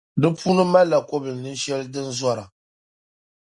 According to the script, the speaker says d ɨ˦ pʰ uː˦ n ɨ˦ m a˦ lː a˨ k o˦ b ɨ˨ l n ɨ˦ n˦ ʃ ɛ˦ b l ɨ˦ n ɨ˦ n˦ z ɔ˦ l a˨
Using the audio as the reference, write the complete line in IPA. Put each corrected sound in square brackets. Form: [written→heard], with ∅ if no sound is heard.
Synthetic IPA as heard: d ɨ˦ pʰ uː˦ n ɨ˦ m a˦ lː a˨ k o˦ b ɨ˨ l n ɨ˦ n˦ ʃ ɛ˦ [b→∅] l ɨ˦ [n→d] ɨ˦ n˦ z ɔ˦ [l→ɾ] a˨